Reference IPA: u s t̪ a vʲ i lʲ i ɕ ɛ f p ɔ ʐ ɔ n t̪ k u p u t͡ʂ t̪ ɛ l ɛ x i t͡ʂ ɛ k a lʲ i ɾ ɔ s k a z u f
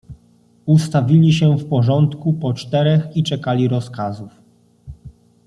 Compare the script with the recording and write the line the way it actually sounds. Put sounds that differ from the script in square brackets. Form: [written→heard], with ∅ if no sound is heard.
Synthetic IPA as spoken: u s t̪ a vʲ i lʲ i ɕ ɛ f p ɔ ʐ ɔ n t̪ k u p [u→ɔ] t͡ʂ t̪ ɛ [l→ɾ] ɛ x i t͡ʂ ɛ k a lʲ i ɾ ɔ s k a z u f